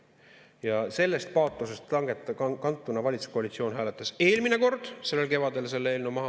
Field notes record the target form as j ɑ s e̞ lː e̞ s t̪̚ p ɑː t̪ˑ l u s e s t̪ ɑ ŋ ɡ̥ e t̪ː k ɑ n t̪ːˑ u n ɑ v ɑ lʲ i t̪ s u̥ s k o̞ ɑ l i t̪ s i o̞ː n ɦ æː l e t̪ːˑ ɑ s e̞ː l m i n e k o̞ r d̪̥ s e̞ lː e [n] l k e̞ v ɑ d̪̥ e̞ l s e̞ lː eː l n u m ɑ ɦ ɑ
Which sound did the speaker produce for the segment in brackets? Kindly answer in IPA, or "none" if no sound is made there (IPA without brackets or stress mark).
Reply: none